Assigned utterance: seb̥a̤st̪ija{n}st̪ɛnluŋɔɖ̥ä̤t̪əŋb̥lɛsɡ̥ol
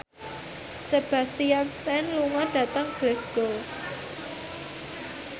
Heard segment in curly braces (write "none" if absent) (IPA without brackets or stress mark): n